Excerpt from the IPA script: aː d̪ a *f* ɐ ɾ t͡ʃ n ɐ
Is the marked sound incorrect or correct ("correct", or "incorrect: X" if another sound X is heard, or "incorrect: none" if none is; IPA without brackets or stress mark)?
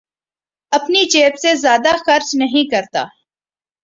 incorrect: x